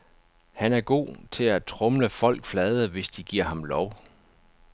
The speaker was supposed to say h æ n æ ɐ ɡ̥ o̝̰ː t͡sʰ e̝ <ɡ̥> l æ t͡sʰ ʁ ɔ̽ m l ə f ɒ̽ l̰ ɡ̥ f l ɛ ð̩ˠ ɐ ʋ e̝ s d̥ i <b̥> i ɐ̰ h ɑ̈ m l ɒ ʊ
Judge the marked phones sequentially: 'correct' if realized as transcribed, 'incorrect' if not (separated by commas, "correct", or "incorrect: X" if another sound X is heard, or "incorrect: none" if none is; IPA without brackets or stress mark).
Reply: incorrect: none, incorrect: ɡ̥